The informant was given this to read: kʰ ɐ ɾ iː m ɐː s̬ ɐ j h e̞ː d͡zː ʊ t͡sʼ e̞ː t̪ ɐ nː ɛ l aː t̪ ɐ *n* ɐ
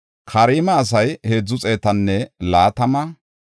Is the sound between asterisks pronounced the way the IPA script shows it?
no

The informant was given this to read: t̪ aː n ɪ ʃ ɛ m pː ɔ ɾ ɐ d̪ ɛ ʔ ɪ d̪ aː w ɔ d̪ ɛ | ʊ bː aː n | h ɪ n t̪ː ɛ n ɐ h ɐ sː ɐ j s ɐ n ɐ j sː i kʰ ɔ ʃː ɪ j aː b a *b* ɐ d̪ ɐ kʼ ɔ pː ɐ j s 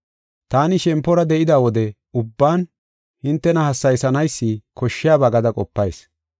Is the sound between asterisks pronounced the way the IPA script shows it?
no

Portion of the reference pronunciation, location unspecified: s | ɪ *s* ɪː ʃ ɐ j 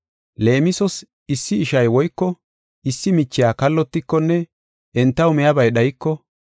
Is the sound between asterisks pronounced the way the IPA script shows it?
no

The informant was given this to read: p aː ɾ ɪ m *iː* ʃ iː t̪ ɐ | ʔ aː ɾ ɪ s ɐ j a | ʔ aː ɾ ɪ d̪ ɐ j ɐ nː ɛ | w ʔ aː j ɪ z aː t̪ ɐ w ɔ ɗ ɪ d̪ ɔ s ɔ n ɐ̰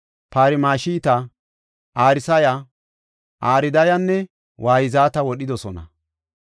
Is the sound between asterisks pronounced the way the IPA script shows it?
no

